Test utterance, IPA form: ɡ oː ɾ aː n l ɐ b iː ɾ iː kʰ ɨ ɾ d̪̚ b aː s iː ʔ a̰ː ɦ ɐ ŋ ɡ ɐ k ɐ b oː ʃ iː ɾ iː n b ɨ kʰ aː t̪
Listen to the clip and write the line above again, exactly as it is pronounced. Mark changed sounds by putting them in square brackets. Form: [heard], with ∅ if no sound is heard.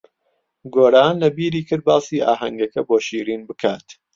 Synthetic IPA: ɡ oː ɾ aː n l ɐ b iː ɾ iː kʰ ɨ ɾ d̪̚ b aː s iː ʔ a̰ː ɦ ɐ ŋ ɡ ɐ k ɐ b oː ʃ iː ɾ iː n b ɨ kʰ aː t̪